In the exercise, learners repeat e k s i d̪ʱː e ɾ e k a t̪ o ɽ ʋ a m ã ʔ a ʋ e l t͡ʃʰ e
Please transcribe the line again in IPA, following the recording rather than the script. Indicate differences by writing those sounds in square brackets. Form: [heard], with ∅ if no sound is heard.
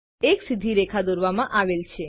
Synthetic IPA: e k s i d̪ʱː [i] ɾ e [kʰ] a [d̪] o [ɾ] ʋ a m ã ʔ a ʋ e l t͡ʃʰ e